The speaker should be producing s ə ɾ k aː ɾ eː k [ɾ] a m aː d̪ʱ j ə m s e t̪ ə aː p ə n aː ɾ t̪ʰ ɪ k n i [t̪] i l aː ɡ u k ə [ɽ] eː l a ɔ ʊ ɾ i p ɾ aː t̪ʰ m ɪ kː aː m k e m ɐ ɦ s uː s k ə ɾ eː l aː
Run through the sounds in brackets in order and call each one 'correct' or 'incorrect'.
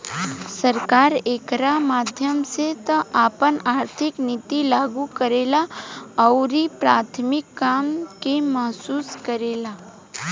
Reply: correct, correct, incorrect

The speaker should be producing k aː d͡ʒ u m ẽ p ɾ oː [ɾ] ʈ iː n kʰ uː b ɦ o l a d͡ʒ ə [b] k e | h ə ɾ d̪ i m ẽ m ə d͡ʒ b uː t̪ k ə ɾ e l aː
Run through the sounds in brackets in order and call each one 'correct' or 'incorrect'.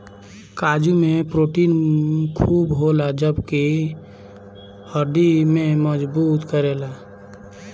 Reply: incorrect, correct

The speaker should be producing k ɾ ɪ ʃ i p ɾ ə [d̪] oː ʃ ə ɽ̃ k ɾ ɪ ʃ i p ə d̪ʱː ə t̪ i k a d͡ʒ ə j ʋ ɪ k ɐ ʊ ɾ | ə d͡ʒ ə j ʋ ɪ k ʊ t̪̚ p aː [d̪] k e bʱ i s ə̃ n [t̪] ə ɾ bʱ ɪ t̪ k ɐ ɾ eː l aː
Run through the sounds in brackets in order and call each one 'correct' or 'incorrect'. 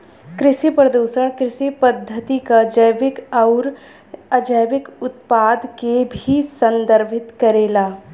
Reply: correct, correct, incorrect

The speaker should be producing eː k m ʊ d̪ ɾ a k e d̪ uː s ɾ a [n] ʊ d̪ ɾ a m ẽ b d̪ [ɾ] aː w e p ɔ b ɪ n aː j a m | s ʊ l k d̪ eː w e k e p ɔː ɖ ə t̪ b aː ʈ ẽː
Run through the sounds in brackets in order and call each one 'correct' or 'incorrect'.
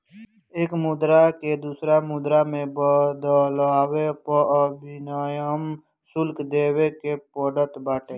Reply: incorrect, incorrect

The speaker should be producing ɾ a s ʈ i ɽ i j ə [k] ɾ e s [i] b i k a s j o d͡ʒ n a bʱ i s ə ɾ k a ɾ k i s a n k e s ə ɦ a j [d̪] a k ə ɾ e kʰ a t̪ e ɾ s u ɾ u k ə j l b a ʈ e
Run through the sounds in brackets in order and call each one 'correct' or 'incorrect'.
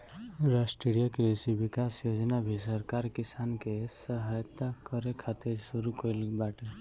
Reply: correct, correct, incorrect

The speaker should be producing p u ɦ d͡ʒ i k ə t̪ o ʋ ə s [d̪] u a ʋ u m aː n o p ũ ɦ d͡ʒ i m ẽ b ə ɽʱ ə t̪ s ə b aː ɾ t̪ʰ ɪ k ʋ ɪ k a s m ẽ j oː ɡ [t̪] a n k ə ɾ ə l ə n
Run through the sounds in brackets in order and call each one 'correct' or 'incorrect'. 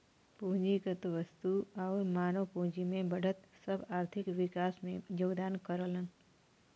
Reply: incorrect, incorrect

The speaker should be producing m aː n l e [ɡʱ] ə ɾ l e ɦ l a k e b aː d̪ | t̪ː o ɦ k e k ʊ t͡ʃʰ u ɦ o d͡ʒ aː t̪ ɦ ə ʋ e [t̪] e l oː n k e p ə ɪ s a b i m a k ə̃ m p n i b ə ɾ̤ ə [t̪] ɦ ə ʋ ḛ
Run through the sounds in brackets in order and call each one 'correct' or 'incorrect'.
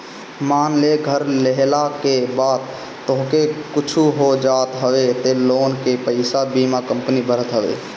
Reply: correct, correct, correct

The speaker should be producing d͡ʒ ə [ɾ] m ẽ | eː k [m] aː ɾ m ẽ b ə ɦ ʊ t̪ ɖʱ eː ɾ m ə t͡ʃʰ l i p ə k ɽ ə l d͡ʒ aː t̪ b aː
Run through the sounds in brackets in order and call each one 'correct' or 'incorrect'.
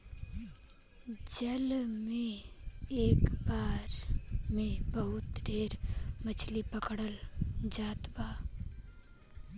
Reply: incorrect, incorrect

